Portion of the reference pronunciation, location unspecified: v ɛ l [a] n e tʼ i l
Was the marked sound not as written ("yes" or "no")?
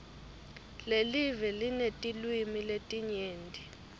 yes